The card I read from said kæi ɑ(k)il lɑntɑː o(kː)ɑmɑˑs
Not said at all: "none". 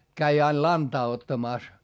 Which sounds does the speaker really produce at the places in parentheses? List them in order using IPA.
none, tː

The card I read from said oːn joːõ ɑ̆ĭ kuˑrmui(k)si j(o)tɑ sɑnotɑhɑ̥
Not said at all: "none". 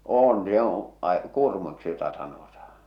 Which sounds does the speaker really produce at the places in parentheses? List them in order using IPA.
k, o

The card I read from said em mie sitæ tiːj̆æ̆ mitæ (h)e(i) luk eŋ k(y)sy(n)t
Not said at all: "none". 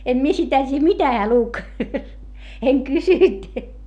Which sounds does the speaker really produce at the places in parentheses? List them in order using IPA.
h, æ, y, n

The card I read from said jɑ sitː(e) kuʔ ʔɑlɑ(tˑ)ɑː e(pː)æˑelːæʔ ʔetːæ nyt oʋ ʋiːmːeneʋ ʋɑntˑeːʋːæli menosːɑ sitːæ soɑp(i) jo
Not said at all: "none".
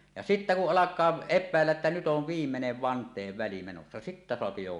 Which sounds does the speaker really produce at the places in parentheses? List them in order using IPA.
æ, kˑ, pː, i

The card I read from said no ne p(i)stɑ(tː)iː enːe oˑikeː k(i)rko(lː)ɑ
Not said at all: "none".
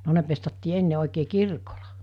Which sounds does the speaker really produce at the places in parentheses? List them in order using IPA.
e, tː, i, l

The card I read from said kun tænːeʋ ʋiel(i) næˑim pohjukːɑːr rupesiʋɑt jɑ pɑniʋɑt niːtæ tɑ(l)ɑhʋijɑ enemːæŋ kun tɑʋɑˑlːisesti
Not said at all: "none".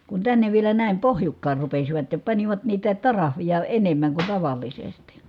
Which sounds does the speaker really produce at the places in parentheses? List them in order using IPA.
æ, r

